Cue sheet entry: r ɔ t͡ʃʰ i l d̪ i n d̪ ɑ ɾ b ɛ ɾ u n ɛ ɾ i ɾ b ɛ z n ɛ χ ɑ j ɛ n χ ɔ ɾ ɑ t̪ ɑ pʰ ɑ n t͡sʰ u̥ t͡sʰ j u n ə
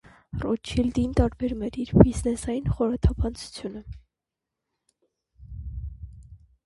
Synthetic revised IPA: r ɔ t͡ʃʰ i l d̪ i n t̪ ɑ ɾ b ɛ ɾ u m ɛ ɾ i ɾ b i z n ɛ s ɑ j i n χ ɔ ɾ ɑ t̪ʰ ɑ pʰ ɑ n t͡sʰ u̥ t͡sʰ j u n ə